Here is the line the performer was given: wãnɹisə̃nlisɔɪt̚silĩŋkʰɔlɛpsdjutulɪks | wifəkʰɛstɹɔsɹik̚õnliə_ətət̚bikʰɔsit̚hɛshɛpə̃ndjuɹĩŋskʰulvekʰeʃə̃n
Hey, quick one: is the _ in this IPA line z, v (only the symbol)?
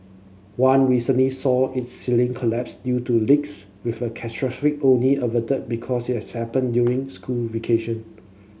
v